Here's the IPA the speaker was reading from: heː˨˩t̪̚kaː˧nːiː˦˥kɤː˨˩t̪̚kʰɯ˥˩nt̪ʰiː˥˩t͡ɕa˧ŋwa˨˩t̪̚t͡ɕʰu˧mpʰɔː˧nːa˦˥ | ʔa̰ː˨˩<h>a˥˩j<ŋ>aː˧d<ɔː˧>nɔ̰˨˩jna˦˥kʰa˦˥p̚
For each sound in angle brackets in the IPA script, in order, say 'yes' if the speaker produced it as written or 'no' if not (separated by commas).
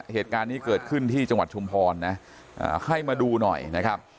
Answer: yes, no, no